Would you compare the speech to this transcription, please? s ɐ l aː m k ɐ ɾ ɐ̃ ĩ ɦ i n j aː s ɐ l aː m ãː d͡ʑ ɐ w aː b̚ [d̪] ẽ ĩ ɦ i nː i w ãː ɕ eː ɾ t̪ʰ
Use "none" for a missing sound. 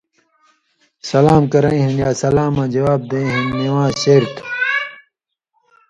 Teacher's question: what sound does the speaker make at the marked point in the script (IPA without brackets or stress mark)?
d̪